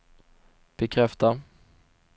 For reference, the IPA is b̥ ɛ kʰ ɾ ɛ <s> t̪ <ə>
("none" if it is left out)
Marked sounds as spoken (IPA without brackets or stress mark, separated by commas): f, a